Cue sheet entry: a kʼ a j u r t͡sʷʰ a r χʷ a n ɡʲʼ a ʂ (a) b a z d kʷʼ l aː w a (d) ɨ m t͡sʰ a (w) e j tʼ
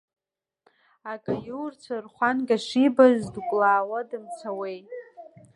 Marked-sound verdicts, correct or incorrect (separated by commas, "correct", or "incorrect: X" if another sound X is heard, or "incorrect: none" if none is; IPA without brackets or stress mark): incorrect: i, correct, correct